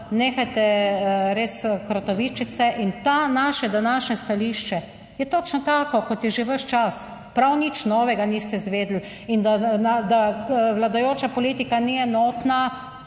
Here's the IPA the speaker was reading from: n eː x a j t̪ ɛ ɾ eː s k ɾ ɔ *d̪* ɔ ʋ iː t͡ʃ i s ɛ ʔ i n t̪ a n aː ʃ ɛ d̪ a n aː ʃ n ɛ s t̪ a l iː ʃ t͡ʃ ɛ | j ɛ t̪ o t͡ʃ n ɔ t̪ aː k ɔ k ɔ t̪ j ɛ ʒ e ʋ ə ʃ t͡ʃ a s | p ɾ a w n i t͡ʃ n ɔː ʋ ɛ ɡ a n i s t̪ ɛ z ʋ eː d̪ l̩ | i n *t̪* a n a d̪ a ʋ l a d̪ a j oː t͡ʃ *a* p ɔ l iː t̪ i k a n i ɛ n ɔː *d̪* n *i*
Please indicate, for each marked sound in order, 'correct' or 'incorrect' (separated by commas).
incorrect, incorrect, correct, incorrect, incorrect